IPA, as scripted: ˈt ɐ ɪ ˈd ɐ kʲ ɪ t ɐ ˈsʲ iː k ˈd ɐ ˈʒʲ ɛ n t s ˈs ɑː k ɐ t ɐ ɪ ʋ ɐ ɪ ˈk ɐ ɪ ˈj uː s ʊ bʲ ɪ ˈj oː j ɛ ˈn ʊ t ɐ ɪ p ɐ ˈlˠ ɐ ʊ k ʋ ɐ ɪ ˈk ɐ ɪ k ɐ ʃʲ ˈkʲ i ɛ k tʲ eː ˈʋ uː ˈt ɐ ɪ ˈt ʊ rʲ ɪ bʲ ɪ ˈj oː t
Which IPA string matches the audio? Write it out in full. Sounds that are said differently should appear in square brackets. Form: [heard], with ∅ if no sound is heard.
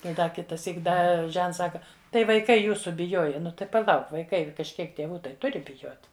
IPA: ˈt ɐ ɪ ˈd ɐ kʲ ɪ t ɐ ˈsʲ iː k ˈd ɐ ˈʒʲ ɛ n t s ˈs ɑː k ɐ t ɐ ɪ ʋ ɐ ɪ ˈk ɐ ɪ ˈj uː s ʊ bʲ ɪ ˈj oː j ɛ ˈn ʊ t ɐ ɪ p ɐ ˈlˠ ɐ ʊ k ʋ ɐ ɪ ˈk ɐ ɪ k ɐ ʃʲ ˈkʲ i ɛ k tʲ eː ˈʋ uː ˈt ɐ ɪ ˈt ʊ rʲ ɪ bʲ ɪ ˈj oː t